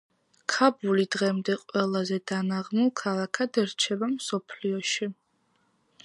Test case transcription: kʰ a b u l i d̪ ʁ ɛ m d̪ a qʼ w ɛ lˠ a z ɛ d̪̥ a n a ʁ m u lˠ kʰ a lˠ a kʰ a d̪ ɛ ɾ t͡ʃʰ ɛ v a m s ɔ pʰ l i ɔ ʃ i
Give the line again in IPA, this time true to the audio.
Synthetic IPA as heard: kʰ a b u l i d̪ ʁ ɛ m d̪ ɛ qʼ w ɛ lˠ a z ɛ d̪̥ a n a ʁ m u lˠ kʰ a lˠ a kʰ a d̪ ɛ ɾ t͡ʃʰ ɛ b a m s ɔ pʰ l i ɔ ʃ i